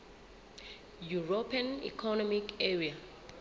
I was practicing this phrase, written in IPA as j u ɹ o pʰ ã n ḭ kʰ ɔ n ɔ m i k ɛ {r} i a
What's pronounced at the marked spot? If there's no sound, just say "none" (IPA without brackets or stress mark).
ɹ